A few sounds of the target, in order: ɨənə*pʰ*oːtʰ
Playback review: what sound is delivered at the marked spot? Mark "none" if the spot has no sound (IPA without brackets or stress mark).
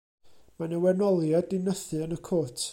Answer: kʰ